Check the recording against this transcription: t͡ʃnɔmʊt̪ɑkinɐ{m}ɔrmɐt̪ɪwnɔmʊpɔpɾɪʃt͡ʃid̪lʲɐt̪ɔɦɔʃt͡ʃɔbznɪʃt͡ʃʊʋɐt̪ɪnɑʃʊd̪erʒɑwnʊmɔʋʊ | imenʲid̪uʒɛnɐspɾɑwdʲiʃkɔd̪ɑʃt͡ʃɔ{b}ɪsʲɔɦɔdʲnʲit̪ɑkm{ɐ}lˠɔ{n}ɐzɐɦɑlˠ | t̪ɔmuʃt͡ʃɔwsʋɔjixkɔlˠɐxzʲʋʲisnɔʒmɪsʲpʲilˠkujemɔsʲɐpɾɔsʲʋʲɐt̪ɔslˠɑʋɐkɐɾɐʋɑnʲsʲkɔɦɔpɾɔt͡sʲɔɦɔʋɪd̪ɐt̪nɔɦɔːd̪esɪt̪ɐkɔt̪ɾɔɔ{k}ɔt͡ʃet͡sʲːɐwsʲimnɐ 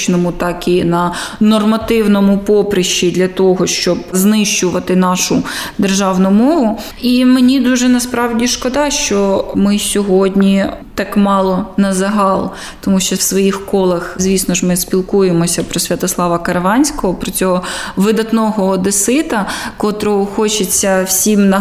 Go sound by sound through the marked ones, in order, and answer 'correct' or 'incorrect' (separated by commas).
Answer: incorrect, incorrect, incorrect, correct, incorrect